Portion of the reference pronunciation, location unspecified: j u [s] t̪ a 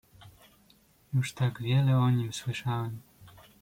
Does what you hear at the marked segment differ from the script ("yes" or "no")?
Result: yes